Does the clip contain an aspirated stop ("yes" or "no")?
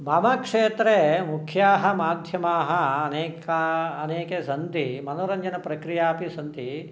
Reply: yes